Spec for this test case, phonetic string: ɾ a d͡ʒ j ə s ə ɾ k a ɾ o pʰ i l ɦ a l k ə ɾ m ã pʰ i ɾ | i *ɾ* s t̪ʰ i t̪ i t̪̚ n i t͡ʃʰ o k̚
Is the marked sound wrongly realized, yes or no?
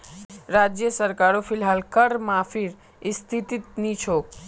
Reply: yes